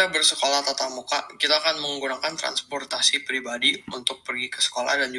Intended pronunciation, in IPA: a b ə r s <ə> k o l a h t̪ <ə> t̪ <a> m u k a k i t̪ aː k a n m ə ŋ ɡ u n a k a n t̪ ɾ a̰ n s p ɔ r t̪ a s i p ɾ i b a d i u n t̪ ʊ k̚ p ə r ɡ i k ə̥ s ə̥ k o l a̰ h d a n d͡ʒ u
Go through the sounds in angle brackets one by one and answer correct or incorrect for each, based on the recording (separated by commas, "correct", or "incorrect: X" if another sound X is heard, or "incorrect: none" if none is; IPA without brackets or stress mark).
correct, incorrect: a, correct